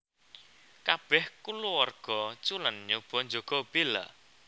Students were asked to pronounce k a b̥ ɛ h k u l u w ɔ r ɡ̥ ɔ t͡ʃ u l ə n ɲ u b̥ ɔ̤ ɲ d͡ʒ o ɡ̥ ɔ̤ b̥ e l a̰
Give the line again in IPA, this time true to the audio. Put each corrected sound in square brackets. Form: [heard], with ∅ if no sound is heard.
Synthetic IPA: k a b̥ ɛ h k u l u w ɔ r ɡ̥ ɔ t͡ʃ u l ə n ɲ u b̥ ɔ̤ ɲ d͡ʒ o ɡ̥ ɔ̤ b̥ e l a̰